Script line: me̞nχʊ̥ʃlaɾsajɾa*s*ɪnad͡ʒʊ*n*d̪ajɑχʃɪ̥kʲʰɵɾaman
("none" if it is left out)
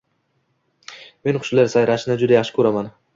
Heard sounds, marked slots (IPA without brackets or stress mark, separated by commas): ʃ, none